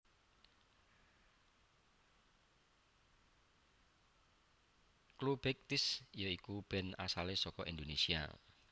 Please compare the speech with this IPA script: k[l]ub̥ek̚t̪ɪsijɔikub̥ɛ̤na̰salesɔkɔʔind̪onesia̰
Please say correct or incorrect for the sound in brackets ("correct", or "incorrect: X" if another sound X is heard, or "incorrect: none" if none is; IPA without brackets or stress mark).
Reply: correct